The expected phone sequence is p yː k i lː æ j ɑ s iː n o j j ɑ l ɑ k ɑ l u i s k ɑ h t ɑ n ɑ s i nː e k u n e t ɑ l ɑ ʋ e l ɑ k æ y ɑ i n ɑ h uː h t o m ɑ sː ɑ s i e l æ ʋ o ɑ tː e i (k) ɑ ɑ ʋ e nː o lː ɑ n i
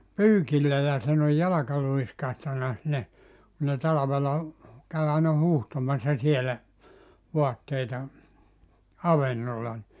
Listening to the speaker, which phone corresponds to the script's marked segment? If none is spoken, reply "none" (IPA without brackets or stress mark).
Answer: t